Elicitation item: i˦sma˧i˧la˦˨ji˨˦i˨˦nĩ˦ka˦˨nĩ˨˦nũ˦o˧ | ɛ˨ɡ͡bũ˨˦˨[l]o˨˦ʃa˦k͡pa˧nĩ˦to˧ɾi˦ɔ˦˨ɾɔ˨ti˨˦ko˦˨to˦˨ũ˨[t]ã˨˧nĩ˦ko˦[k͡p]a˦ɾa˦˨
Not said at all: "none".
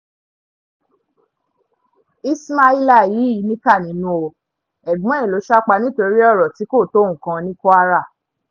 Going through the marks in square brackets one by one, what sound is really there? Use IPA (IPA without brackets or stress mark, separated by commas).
l, k, none